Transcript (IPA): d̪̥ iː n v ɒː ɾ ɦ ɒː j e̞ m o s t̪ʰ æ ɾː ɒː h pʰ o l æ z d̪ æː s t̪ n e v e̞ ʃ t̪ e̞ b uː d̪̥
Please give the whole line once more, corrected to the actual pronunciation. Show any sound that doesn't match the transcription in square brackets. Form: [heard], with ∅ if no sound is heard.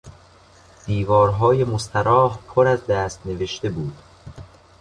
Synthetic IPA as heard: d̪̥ iː [∅] v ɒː ɾ ɦ ɒː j e̞ m o s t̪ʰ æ [ɾ] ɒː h pʰ o [ɾ] æ z d̪ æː s t̪ n e v e̞ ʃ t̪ e̞ b uː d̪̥